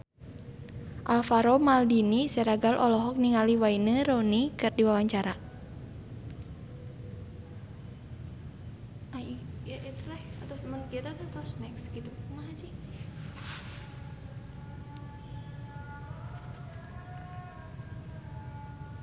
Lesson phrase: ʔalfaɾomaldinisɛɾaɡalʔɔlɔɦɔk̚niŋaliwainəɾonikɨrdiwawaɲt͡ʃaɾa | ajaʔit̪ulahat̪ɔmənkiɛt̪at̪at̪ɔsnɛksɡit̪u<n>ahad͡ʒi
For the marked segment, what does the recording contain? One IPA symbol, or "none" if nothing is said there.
m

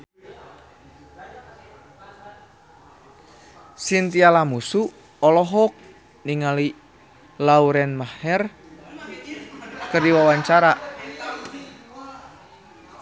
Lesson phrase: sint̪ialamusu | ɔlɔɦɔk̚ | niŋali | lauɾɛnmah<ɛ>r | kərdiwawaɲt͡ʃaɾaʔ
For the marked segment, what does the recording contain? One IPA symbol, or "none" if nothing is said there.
ɛ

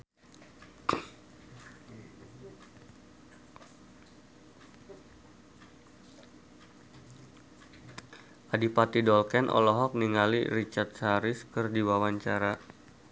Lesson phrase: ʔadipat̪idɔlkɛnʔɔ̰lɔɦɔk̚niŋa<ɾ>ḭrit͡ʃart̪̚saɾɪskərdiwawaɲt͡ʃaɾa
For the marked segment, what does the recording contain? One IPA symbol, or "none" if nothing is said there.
l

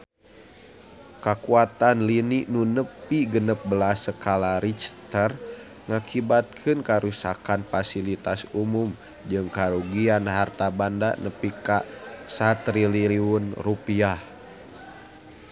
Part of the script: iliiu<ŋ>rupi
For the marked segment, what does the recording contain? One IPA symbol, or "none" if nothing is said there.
n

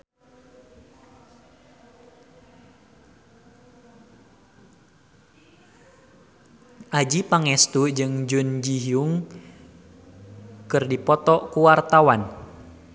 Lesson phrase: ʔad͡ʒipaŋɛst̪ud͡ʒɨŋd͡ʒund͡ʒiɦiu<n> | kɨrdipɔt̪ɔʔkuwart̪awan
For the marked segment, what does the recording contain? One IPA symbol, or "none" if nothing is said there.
ŋ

